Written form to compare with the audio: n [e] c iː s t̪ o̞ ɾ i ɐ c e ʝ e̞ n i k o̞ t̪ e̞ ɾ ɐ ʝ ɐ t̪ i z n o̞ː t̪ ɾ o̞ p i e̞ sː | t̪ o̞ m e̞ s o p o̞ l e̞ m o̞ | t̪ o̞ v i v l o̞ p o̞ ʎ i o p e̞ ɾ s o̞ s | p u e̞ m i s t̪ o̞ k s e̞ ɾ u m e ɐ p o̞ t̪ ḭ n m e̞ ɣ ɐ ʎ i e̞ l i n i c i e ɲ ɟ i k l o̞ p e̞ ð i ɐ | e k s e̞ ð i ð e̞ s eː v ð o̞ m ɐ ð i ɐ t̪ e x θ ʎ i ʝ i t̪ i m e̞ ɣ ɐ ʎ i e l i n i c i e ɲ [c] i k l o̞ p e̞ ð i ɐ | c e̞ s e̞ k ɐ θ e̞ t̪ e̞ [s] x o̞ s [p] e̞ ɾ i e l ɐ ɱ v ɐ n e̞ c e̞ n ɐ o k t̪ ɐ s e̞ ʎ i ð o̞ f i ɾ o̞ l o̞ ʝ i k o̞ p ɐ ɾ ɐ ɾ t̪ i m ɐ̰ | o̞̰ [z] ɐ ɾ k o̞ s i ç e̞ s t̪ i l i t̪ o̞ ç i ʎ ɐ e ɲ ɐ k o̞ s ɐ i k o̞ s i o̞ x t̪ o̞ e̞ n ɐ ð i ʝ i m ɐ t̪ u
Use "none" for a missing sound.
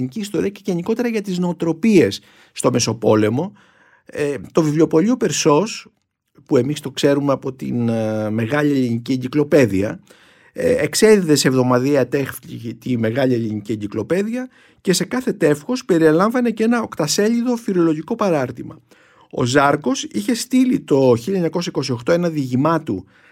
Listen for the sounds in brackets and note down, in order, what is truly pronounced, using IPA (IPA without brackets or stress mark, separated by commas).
i, ɟ, f, p, z